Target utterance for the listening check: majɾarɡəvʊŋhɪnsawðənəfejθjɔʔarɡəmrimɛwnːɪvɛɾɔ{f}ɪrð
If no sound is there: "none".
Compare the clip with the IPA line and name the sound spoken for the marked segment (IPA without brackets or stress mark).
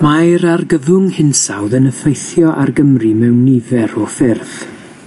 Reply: f